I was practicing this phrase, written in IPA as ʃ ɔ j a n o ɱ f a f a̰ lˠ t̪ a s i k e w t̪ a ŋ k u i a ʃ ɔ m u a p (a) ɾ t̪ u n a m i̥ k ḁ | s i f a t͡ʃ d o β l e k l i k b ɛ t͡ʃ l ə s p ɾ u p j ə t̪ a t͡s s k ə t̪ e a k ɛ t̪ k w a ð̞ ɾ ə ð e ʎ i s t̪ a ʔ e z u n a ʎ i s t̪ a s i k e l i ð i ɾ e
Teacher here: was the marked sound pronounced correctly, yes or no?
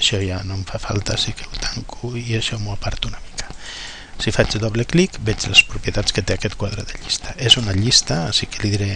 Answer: yes